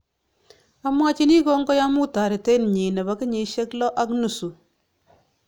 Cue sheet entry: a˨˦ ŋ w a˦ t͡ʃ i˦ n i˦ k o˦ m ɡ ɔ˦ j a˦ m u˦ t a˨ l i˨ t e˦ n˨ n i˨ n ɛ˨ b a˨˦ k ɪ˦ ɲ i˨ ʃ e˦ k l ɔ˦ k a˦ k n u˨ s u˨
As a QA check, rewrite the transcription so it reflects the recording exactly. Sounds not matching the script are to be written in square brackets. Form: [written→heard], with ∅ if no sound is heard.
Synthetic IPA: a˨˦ [ŋ→m] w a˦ t͡ʃ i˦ n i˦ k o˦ [m→ŋ] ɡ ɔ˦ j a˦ m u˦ t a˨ [l→ɾ] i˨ t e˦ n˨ [n→ɲ] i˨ n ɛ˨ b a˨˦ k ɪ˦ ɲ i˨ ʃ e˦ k l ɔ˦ [k→ʔ] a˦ k n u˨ s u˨